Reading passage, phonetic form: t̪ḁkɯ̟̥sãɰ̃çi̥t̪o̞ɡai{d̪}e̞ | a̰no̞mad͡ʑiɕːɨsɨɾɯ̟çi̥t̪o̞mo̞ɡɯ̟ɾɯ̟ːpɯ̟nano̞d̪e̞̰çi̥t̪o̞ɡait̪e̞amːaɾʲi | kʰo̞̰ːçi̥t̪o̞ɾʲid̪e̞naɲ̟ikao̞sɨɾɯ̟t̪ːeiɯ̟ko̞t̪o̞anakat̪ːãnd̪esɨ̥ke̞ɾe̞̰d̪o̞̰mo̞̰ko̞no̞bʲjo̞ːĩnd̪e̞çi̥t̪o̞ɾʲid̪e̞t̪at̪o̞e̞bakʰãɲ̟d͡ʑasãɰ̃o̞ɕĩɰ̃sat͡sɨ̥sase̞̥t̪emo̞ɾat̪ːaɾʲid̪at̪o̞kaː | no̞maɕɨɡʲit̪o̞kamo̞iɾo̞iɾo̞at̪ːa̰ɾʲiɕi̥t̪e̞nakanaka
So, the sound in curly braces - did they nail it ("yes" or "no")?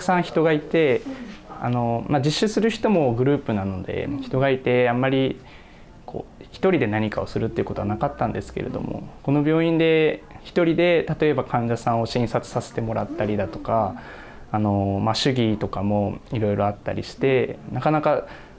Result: no